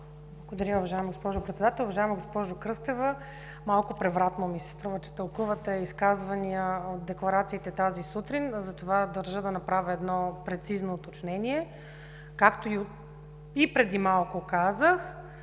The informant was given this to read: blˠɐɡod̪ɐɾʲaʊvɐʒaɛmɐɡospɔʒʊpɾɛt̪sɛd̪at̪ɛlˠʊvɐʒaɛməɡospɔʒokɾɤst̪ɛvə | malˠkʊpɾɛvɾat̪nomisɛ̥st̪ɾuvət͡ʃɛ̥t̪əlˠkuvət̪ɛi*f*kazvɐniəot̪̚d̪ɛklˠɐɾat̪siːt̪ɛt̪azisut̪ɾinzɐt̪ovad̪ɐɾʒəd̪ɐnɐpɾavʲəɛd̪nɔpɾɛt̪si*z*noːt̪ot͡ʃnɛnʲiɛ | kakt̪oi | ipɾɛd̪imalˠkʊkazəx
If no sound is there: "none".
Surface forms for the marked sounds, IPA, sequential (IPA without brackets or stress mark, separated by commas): s, z